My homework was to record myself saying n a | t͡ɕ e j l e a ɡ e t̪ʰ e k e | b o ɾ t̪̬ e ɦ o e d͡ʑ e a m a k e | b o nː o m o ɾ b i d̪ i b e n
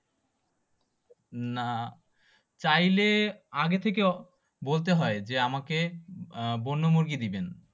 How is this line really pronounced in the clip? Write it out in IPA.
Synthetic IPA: n a | t͡ɕ a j l e a ɡ e t̪ʰ e k e | b o l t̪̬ e ɦ ɔ e d͡ʑ e a m a k e | b o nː o m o ɾ ɡ i d̪ i b e n

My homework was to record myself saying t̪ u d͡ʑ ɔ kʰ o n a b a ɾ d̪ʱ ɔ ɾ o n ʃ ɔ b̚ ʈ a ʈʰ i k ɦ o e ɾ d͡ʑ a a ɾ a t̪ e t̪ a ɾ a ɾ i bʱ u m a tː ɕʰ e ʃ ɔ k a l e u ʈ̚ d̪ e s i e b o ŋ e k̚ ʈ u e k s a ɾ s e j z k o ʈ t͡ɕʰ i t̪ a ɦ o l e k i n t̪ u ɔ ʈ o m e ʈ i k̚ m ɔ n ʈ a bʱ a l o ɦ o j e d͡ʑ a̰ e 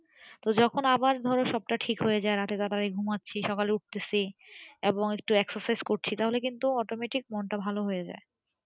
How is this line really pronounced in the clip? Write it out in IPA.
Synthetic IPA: t̪ o d͡ʑ ɔ kʰ o n a b a ɾ d̪ʱ ɔ ɾ o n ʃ ɔ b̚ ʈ a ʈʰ i k ɦ o e d͡ʑ a e ɾ a t̪ e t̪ a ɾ a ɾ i ɡʱ u m a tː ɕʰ i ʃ ɔ k a l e u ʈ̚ t̪ e s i e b o ŋ e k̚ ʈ u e k s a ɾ s a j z k o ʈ t͡ɕʰ i t̪ a ɦ o l e k i n t̪ u ɔ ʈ o m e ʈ i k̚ m ɔ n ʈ a bʱ a l o ɦ o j e d͡ʑ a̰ e

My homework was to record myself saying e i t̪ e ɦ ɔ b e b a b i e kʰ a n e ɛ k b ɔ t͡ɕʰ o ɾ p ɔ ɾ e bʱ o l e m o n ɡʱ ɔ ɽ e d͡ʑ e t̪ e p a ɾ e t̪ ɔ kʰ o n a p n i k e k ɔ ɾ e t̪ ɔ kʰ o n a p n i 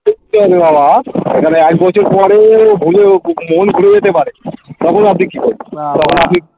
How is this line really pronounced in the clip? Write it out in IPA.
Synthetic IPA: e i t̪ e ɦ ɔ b e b a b a e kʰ a n e ɛ k b ɔ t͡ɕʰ o ɾ p ɔ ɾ e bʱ u l e m o n ɡʱ u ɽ e d͡ʑ e t̪ e p a ɾ e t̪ ɔ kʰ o n a p n i k i k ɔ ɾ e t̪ ɔ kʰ o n a p n i

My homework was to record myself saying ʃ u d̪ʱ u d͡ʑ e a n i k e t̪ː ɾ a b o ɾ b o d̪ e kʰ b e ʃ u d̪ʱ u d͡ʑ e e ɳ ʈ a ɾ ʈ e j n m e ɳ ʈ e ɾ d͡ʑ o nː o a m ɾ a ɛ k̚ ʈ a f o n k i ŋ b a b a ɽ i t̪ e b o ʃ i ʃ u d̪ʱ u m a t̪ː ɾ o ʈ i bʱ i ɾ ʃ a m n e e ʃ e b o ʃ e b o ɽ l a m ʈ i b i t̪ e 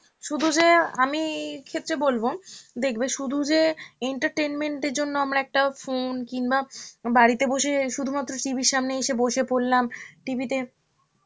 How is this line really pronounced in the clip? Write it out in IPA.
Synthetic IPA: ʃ u d̪ʱ u d͡ʑ e a m i kʰ e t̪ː ɾ e b o l b o d̪ e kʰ b e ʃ u d̪ʱ u d͡ʑ e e ɳ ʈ a ɾ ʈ e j n m e ɳ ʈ e ɾ d͡ʑ o nː o a m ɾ a ɛ k̚ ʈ a f o n k i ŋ b a b a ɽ i t̪ e b o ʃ e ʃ u d̪ʱ u m a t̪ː ɾ o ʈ i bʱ i ɾ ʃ a m n e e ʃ e b o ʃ e p o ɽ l a m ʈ i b i t̪ e

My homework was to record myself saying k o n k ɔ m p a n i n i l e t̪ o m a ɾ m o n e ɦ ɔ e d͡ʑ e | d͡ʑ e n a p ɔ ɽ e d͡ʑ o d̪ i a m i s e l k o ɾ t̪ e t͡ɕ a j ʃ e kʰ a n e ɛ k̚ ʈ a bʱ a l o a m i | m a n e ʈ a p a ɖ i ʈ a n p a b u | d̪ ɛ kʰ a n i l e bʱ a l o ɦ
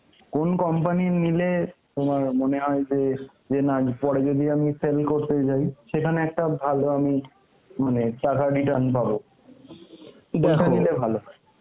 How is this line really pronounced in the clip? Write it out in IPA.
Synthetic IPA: k o n k ɔ m p a n i n i l e t̪ o m a ɾ m o n e ɦ ɔ e d͡ʑ e | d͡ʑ e n a p ɔ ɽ e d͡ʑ o d̪ i a m i s e l k o ɾ t̪ e t͡ɕ a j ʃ e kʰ a n e ɛ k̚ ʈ a bʱ a l o a m i | m a n e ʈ a k a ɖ i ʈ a n p a b o | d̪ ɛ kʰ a n i l e bʱ a l o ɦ

